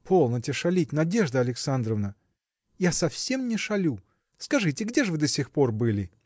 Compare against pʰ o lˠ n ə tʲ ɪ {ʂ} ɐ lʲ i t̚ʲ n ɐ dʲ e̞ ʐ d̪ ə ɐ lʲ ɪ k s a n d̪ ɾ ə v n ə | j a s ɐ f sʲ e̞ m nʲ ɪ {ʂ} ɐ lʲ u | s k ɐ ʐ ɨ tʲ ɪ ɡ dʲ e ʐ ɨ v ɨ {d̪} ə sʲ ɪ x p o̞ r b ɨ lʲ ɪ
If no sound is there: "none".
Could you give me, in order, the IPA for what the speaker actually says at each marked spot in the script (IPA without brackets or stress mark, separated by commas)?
ʂ, ʂ, d̪